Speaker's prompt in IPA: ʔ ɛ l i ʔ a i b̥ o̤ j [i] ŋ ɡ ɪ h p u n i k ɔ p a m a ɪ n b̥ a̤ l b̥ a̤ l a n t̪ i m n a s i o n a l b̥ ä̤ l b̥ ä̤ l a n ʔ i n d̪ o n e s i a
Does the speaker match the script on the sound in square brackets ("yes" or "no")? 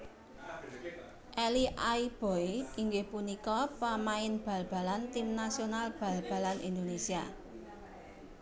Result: yes